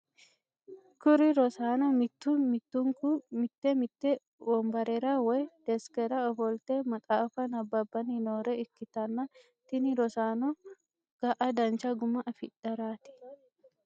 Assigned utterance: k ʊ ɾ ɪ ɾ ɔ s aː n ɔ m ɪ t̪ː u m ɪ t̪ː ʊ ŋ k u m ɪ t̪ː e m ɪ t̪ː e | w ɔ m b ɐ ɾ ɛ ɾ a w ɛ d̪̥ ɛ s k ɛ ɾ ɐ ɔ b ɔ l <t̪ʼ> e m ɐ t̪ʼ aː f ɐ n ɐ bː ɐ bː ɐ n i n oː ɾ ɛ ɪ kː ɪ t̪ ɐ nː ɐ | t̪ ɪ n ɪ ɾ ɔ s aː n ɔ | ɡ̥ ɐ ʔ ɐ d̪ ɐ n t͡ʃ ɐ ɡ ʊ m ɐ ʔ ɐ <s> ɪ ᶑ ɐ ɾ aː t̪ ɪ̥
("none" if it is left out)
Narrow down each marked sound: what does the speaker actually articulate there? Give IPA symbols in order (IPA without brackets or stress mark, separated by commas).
t̪, f